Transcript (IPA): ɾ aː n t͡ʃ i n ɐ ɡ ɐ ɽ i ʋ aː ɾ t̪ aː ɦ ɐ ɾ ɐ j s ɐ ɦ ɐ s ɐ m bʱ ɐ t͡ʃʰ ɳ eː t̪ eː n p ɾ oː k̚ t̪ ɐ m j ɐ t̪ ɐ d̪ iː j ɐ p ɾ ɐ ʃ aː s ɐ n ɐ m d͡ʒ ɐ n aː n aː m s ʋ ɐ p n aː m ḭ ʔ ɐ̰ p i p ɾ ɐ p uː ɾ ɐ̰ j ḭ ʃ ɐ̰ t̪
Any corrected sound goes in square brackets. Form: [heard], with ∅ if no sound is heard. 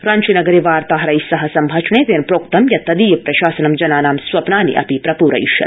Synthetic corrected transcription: ɾ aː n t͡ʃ i n ɐ ɡ ɐ [ɾ] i ʋ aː ɾ t̪ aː ɦ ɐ ɾ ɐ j s ɐ ɦ ɐ s ɐ m bʱ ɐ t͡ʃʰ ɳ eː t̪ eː n p ɾ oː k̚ t̪ ɐ m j ɐ t̪ ɐ d̪ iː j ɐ p ɾ ɐ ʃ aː s ɐ n ɐ m d͡ʒ ɐ n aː n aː m s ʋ ɐ p n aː [n] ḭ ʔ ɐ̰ p i p ɾ ɐ p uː ɾ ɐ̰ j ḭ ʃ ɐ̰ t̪